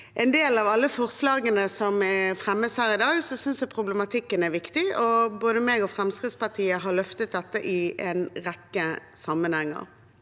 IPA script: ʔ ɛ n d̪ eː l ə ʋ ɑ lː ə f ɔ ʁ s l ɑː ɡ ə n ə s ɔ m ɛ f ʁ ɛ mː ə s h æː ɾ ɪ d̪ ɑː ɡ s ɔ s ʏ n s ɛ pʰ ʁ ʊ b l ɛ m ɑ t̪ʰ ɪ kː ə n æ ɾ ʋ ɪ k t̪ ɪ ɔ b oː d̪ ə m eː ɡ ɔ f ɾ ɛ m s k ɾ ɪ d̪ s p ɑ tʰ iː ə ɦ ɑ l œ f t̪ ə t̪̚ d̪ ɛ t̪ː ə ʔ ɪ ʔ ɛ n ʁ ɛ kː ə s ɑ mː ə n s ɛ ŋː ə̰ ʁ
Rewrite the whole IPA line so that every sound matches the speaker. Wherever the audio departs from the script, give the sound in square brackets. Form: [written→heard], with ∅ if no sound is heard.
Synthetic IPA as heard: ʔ ɛ n d̪ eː l [ə→ɑ] ʋ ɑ lː ə f ɔ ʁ s l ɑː ɡ ə n ə s ɔ m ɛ f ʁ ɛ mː ə s h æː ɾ ɪ d̪ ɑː ɡ s ɔ s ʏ n s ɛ pʰ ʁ ʊ b l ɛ m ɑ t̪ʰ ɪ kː ə n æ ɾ ʋ ɪ k t̪ ɪ ɔ b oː d̪ ə m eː ɡ ɔ f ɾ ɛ m s k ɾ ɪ d̪ s p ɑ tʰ iː ə ɦ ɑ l œ f t̪ ə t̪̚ d̪ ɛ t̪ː ə ʔ ɪ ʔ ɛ n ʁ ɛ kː ə s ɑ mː ə n [s→h] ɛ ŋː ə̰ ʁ

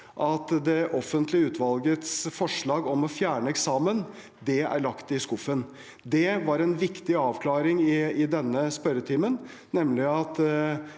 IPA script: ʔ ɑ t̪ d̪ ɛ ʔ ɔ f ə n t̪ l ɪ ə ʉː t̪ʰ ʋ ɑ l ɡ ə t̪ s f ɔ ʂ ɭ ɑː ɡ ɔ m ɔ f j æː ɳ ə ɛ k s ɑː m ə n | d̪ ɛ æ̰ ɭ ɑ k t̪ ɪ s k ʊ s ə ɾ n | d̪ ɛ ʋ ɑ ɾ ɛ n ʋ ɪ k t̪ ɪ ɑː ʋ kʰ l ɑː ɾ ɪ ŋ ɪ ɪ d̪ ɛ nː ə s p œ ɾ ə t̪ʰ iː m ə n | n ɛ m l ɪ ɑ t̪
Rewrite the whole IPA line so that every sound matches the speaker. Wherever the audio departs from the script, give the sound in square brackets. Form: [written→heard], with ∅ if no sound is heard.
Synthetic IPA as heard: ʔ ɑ t̪ d̪ ɛ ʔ ɔ f ə n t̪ l ɪ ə ʉː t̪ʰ ʋ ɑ l ɡ ə t̪ s f ɔ ʂ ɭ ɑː ɡ ɔ m ɔ f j æː ɳ ə ɛ k s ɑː m ə n | d̪ ɛ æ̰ ɭ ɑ k t̪ ɪ s k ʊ [s→f] ə [ɾ→∅] n | d̪ ɛ ʋ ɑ ɾ ɛ n ʋ ɪ k t̪ ɪ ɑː ʋ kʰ l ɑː ɾ ɪ ŋ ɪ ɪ d̪ ɛ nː ə s p œ ɾ ə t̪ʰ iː m ə n | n ɛ m l ɪ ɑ t̪

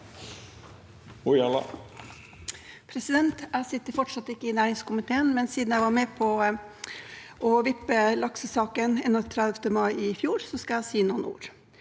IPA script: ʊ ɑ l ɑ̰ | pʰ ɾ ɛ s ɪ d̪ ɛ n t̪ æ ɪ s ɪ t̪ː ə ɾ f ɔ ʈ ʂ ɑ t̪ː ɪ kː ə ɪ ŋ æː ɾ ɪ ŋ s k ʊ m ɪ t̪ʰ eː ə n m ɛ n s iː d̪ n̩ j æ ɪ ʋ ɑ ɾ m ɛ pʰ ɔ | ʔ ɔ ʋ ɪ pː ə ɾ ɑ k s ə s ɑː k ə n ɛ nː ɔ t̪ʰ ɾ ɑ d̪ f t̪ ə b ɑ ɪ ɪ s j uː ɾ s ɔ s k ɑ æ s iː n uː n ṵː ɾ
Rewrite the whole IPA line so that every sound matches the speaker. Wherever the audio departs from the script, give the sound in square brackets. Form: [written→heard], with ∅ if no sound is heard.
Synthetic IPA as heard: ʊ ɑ l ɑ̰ | pʰ ɾ ɛ s ɪ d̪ ɛ n t̪ æ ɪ s ɪ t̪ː ə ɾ f ɔ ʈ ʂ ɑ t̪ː ɪ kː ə ɪ [ŋ→n] æː ɾ ɪ ŋ s k ʊ m ɪ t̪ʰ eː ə n m ɛ n s iː d̪ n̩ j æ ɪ ʋ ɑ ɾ m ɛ pʰ ɔ | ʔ ɔ ʋ ɪ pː ə [ɾ→l] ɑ k s ə s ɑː k ə n ɛ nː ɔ t̪ʰ ɾ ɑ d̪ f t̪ ə [b→m] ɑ ɪ ɪ [s→f] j uː ɾ s ɔ s k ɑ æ s iː n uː n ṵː ɾ

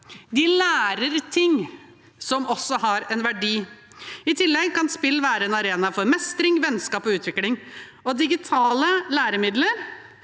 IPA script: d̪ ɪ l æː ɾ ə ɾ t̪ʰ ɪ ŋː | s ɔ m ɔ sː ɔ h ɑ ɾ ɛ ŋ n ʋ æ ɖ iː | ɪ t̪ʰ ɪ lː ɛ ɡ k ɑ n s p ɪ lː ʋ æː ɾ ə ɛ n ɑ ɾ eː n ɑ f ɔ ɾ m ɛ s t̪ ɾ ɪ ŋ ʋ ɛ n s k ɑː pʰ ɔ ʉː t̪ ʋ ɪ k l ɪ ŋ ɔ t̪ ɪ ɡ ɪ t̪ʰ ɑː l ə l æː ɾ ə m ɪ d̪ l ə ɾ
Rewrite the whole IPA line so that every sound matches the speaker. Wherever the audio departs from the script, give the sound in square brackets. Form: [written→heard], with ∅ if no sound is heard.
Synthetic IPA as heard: d̪ ɪ l æː ɾ ə ɾ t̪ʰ ɪ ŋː | s ɔ m ɔ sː ɔ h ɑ ɾ ɛ [ŋ→∅] n ʋ æ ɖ iː | ɪ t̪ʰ ɪ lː ɛ ɡ k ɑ n s p ɪ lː ʋ æː ɾ ə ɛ n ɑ ɾ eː n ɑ f ɔ ɾ m ɛ s t̪ ɾ ɪ ŋ ʋ ɛ n s k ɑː [pʰ→p] ɔ ʉː t̪ ʋ ɪ k l ɪ ŋ ɔ [t̪→d̪] ɪ ɡ ɪ t̪ʰ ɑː l ə l æː ɾ ə m ɪ d̪ l ə ɾ

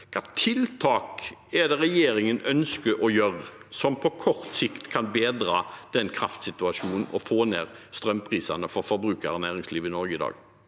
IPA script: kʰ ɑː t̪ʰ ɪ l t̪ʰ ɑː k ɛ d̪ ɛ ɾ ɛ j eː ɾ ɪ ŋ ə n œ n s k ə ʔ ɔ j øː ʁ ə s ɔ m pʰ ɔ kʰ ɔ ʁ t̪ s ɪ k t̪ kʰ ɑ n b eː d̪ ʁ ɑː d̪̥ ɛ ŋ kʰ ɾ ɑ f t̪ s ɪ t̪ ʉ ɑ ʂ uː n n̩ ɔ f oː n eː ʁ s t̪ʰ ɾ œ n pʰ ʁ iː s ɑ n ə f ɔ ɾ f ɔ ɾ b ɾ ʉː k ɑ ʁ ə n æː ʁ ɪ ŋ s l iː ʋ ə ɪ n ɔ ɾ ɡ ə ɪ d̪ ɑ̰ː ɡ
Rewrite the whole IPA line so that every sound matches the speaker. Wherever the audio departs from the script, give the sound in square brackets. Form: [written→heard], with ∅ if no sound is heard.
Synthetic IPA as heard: kʰ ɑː t̪ʰ ɪ l t̪ʰ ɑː k ɛ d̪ ɛ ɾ ɛ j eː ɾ ɪ ŋ ə n œ n s k ə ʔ ɔ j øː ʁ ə s ɔ m pʰ ɔ kʰ ɔ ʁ t̪ s ɪ k t̪ kʰ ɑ n b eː d̪ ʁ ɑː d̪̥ ɛ [ŋ→n] kʰ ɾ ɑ f t̪ s ɪ t̪ ʉ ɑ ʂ uː n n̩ ɔ f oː n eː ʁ s [t̪ʰ→t̪] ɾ œ [n→m] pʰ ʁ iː s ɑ n ə f ɔ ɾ f ɔ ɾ b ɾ ʉː k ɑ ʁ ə n æː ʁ ɪ ŋ s l iː ʋ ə ɪ n ɔ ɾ ɡ ə ɪ d̪ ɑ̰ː ɡ

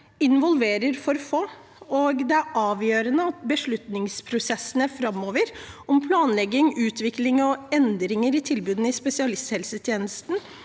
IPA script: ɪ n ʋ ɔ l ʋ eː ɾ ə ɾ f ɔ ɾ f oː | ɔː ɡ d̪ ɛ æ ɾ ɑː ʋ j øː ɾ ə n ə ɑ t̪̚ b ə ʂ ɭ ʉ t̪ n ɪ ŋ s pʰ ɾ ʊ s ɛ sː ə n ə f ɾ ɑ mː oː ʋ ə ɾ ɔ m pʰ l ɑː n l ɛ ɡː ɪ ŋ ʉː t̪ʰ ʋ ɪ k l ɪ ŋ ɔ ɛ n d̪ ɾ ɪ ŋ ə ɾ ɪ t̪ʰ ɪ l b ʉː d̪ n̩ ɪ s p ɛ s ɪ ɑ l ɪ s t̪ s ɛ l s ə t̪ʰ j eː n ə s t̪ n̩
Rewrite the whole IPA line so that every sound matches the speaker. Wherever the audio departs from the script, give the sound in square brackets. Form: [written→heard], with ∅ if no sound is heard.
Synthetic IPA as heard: ɪ n ʋ ɔ l ʋ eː ɾ ə ɾ f ɔ ɾ f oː | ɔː ɡ d̪ ɛ æ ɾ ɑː ʋ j øː ɾ ə n ə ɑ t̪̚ b ə ʂ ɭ ʉ t̪ n ɪ ŋ s pʰ ɾ ʊ s ɛ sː ə n ə f ɾ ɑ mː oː ʋ ə ɾ ɔ m pʰ l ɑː n l ɛ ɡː ɪ ŋ ʉː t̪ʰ ʋ ɪ k l ɪ ŋ ɔ ɛ n d̪ ɾ ɪ ŋ ə ɾ ɪ t̪ʰ ɪ l b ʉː d̪ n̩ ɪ s p ɛ s ɪ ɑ l ɪ s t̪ [s→h] ɛ l s ə t̪ʰ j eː n ə s t̪ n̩

